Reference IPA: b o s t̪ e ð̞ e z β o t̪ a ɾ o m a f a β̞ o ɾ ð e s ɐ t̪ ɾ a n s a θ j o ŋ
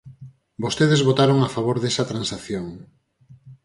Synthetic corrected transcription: b o s t̪ e ð̞ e z β o t̪ a ɾ o ŋ a f a β̞ o ɾ ð e s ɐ t̪ ɾ a n s a θ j o ŋ